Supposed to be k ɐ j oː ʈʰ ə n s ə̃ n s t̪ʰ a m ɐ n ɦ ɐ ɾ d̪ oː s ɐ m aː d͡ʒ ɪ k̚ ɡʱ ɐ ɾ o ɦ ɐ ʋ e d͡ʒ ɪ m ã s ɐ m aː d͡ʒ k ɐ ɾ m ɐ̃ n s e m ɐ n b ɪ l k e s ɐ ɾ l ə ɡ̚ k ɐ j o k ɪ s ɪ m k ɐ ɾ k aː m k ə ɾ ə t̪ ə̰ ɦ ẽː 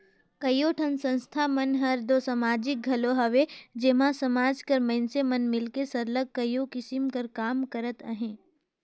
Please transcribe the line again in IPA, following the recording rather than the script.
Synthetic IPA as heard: k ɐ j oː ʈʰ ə n s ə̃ n s t̪ʰ a m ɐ n ɦ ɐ ɾ d̪ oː s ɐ m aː d͡ʒ ɪ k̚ ɡʱ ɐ l o ɦ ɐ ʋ e d͡ʒ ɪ m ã s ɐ m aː d͡ʒ k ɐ ɾ m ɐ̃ n s e m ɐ n m ɪ l k e s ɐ ɾ l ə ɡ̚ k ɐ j o k ɪ s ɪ m k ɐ ɾ k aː m k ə ɾ ə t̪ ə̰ ɦ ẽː